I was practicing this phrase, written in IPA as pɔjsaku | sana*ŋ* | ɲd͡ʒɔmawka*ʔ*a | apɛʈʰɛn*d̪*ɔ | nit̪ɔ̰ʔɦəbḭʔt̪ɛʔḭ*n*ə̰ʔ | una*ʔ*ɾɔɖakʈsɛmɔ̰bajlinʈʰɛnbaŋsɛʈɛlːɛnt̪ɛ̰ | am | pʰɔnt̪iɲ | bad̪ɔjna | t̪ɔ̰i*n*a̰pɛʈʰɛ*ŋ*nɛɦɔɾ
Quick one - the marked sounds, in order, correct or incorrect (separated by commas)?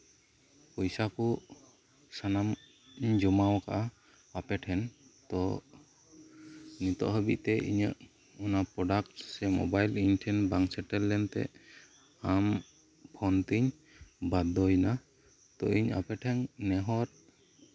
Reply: incorrect, correct, incorrect, incorrect, incorrect, incorrect, correct